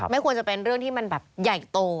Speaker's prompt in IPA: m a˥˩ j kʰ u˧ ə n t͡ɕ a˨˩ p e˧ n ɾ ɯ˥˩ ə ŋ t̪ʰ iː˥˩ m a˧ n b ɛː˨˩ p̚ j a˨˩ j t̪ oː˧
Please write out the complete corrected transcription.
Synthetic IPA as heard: m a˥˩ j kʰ u˧ ə n t͡ɕ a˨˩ p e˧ n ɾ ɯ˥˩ ə ŋ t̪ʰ iː˥˩ m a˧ n b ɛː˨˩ p̚ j a˨˩ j t̪ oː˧